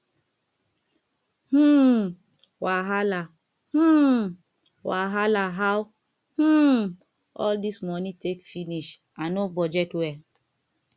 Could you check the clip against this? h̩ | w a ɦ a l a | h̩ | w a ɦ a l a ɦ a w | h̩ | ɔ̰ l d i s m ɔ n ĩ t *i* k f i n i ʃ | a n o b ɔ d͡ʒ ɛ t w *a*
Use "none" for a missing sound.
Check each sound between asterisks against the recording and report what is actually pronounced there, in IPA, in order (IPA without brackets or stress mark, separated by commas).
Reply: e, ɛ